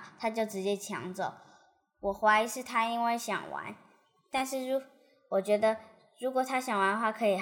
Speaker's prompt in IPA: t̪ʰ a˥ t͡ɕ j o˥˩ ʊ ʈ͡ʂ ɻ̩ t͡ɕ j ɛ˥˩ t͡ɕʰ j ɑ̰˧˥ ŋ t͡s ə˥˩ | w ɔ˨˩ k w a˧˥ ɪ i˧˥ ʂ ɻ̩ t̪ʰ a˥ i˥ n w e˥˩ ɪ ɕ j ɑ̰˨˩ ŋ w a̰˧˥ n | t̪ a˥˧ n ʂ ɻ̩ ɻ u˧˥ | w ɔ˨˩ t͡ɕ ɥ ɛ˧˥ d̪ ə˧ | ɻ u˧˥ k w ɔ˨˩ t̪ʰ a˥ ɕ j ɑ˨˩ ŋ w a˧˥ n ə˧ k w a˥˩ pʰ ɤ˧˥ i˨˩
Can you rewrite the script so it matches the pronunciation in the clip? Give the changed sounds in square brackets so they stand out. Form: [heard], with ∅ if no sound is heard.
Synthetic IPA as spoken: t̪ʰ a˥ t͡ɕ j o˥˩ ʊ ʈ͡ʂ ɻ̩ t͡ɕ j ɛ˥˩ t͡ɕʰ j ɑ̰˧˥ ŋ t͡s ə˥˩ | w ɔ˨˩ [x] w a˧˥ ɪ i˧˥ ʂ ɻ̩ t̪ʰ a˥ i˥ n w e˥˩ ɪ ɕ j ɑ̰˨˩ ŋ w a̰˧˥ n | t̪ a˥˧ n ʂ ɻ̩ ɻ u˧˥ | w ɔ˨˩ t͡ɕ ɥ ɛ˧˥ d̪ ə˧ | ɻ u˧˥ k w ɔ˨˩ t̪ʰ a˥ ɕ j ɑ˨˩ ŋ w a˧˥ n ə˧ [x] w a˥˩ [kʰ] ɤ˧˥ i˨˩